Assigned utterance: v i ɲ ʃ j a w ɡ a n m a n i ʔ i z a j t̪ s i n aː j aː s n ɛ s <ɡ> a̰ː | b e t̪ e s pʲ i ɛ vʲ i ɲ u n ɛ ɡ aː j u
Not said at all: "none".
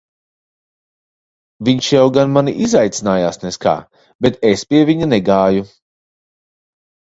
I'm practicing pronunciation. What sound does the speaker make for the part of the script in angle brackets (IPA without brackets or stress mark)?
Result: k